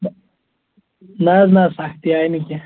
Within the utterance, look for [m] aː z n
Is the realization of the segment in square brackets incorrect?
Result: yes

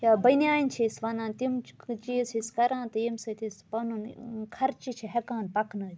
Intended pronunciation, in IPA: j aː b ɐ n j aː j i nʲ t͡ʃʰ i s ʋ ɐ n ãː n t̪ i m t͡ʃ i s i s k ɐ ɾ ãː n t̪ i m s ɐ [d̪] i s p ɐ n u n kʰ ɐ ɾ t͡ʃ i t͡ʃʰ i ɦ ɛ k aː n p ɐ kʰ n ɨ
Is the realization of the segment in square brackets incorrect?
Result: yes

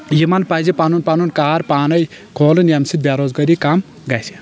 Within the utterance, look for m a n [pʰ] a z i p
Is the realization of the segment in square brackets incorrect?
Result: yes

